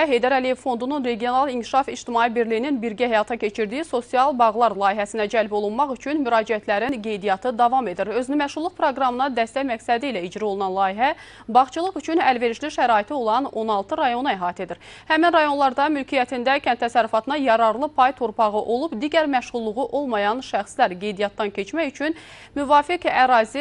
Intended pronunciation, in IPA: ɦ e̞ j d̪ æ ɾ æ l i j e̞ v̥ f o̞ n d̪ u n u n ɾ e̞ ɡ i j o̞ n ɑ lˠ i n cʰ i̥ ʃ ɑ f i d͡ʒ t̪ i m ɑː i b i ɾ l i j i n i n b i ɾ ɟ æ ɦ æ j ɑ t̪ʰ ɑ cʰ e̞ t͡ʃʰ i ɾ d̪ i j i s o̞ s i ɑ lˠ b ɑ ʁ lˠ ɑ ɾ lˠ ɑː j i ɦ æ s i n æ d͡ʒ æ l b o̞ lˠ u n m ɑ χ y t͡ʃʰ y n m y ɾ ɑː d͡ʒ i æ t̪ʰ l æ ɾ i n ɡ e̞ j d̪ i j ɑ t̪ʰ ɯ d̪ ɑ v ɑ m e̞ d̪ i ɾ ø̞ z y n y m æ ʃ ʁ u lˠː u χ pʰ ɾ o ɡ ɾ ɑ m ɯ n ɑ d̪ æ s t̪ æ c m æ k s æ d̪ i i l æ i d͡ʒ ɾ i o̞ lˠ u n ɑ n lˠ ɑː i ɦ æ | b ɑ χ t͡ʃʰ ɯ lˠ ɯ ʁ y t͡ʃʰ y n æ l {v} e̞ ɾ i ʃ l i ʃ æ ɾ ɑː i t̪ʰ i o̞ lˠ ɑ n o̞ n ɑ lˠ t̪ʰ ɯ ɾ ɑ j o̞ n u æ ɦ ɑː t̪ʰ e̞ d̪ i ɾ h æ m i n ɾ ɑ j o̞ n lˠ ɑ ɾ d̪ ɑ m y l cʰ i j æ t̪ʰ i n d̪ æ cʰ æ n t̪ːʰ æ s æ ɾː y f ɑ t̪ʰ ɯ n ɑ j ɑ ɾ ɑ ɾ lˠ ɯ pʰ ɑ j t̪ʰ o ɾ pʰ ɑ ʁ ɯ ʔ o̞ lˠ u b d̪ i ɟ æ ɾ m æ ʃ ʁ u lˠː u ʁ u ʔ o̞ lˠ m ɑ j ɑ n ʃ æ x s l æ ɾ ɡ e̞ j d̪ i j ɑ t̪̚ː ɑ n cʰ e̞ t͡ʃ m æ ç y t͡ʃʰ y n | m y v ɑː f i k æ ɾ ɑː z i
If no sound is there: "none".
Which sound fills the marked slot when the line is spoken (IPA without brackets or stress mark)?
v